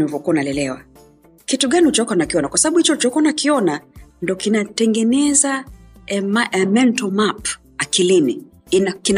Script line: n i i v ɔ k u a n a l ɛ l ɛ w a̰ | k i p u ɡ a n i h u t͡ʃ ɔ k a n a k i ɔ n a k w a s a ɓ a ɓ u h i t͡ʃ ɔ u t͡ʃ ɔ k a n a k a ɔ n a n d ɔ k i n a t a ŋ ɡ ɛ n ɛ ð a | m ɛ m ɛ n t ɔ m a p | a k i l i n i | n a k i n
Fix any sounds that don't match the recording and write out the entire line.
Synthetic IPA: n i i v ɔ k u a n a l ɛ l ɛ w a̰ | k i t u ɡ a n i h u t͡ʃ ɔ k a n a k i ɔ n a k w a s a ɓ a ɓ u h i t͡ʃ ɔ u t͡ʃ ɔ k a n a k i ɔ n a n d ɔ k i n a t ɛ ŋ ɡ ɛ n ɛ z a | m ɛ m ɛ n t ɔ m a p | a k i l i n i | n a k i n